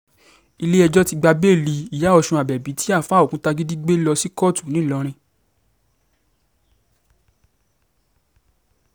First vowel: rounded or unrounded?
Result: unrounded